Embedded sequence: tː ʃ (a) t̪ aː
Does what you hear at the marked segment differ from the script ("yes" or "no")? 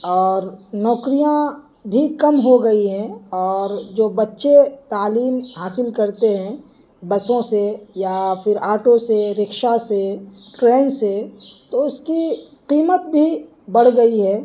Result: yes